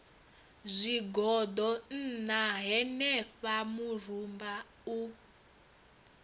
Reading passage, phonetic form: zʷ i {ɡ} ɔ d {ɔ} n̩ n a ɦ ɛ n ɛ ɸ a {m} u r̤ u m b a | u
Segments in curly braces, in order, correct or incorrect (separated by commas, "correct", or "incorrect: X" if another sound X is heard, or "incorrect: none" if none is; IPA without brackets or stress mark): correct, correct, correct